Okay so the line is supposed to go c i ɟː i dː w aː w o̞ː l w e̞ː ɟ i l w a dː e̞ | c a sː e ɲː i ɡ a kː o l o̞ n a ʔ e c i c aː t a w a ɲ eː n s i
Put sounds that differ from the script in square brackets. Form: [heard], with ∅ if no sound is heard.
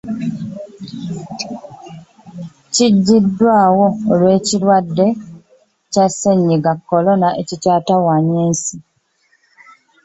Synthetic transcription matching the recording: c i ɟː i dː w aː w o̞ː l w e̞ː [c] i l w a dː e̞ | c a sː e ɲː i ɡ a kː o l o̞ n a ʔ e c i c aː t a w a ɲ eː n s i

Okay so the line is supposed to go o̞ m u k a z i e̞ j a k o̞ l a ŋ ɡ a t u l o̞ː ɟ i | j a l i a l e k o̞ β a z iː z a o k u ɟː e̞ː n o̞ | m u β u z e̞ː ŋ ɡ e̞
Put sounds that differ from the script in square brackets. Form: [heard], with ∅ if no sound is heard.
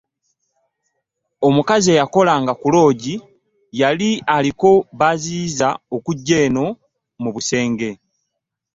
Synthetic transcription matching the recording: o̞ m u k a z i e̞ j a k o̞ l a ŋ ɡ a [k] u l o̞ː ɟ i | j a l i a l [i] k o̞ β a z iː z a o k u ɟː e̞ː n o̞ | m u β u [s] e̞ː ŋ ɡ e̞

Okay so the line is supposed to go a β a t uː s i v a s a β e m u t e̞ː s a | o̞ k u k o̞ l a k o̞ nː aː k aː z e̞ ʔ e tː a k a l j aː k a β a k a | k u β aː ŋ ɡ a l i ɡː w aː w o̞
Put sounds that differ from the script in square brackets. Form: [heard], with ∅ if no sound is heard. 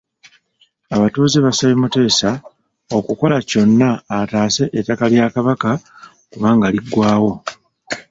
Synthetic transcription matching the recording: a β a t uː [z] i [β] a s a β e m u t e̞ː s a | o̞ k u k o̞ l a [c] o̞ nː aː [t] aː [s] e̞ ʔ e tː a k a l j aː k a β a k a | k u β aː ŋ ɡ a l i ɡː w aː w o̞

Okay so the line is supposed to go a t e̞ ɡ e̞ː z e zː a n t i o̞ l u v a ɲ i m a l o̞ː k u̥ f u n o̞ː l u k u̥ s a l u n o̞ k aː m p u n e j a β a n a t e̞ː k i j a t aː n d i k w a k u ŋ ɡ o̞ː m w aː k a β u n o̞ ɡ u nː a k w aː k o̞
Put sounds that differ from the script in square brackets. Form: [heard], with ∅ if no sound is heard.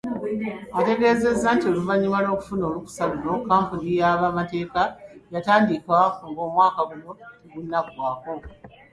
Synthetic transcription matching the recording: a t e̞ ɡ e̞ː z e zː a n t i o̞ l u v a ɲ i m a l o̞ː k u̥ f u n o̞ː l u k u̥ s a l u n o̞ k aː m p u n [i] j a β a [m] a t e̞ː k [a] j a t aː n d i k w a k u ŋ ɡ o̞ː m w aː k a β u n o̞ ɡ u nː a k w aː k o̞

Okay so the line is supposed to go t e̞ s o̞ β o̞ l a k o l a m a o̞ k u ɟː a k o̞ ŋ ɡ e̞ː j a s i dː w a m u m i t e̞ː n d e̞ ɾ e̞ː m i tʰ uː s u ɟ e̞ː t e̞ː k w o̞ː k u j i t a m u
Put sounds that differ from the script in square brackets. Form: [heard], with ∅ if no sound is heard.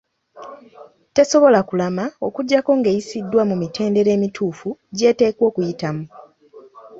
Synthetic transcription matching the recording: t e̞ s o̞ β o̞ l a k [u] l a m a o̞ k u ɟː a k o̞ ŋ ɡ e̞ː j [i] s i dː w a m u m i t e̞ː n d e̞ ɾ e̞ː m i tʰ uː [f] u ɟ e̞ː t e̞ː k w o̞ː k u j i t a m u

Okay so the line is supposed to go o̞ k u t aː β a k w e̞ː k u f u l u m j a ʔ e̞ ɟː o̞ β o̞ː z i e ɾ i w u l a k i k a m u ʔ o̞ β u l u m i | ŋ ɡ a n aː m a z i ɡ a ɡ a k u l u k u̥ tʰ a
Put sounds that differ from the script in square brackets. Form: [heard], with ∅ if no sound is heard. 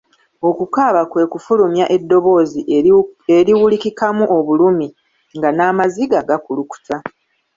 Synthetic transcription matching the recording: o̞ k u [k] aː β a k w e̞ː k u f u l u m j a ʔ e̞ [dː] o̞ β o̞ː z i e ɾ i w u l [i] k i k a m u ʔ o̞ β u l u m i | ŋ ɡ a n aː m a z i ɡ a ɡ a k u l u k u̥ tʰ a

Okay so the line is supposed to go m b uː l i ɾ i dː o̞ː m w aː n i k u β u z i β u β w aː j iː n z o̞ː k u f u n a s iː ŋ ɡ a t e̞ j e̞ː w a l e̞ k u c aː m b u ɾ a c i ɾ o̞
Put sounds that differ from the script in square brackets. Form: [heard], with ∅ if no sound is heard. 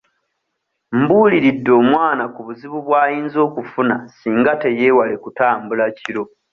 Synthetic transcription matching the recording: m b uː l i ɾ i dː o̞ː m w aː n [a] k u β u z i β u β w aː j iː n z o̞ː k u f u n a s iː ŋ ɡ a t e̞ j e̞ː w a l e̞ k u [t] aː m b u [l] a c i ɾ o̞

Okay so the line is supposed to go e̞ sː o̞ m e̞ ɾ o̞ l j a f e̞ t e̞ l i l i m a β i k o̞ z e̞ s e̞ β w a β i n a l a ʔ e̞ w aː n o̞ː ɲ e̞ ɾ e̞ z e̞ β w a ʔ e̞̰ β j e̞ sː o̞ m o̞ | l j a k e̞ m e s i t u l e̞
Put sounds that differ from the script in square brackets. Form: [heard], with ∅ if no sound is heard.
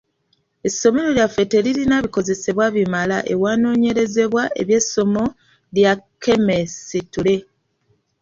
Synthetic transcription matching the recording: e̞ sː o̞ m e̞ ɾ o̞ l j a f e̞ t e̞ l i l i [n] a β i k o̞ z e̞ s e̞ β w a β i [m] a l a ʔ e̞ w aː n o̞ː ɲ e̞ ɾ e̞ z e̞ β w a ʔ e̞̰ β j e̞ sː o̞ m o̞ | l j a k e̞ m e s i t u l e̞

